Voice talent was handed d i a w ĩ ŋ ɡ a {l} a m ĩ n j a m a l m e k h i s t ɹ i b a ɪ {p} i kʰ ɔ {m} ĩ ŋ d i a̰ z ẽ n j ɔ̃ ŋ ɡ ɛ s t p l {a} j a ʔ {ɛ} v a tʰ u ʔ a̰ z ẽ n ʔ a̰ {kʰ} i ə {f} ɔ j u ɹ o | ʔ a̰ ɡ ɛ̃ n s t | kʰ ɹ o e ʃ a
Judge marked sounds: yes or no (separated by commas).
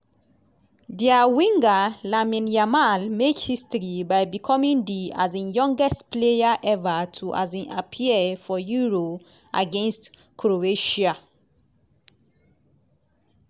yes, no, yes, no, yes, no, yes